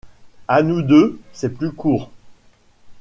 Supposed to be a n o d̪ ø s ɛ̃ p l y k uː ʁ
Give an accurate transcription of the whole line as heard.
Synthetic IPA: a n u d̪ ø s ɛ p l y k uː ʁ

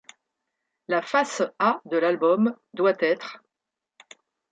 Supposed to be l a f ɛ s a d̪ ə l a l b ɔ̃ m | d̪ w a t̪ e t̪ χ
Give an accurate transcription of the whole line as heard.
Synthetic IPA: l a f a s a d̪ ə l a l b ɔ m | d̪ w a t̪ ɛ t̪ χ

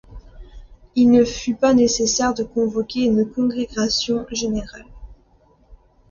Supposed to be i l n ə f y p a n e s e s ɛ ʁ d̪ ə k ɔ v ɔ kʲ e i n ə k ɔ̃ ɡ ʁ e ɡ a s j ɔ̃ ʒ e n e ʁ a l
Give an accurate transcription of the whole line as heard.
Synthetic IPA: i l n ə f y p a n e s e s ɛ ʁ d̪ ə k ɔ̃ v ɔ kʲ e y n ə k ɔ̃ ɡ ʁ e ɡ a s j ɔ̃ ʒ e n e ʁ a l

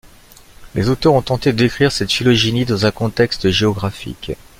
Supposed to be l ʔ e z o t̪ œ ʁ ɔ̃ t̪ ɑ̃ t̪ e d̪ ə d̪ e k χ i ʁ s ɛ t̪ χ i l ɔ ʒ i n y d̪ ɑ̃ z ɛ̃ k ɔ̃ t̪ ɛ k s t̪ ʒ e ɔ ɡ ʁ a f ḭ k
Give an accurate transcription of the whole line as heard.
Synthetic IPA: l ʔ e z o t̪ œ ʁ ɔ̃ t̪ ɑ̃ t̪ e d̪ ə d̪ e k χ i ʁ s ɛ t̪ f i l ɔ ʒ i n i d̪ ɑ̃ z ɛ̃ k ɔ̃ t̪ ɛ k s t̪ ʒ e ɔ ɡ ʁ a f ḭ k

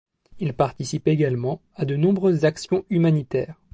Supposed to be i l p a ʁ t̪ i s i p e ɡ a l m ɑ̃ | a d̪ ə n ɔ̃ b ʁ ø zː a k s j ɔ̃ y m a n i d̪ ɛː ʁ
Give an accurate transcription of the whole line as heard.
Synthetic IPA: i l p a ʁ t̪ i s i p e ɡ a l m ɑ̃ | a d̪ ə n ɔ̃ b ʁ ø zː a k s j ɔ̃ y m a n i t̪ ɛː ʁ

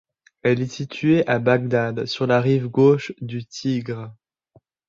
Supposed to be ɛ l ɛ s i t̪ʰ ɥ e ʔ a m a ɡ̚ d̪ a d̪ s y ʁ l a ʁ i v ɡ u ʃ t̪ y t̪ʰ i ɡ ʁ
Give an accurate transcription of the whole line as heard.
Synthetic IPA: ɛ l ɛ s i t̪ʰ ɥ e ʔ a b a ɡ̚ d̪ a d̪ s y ʁ l a ʁ i v ɡ o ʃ d̪ y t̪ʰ i ɡ ʁ

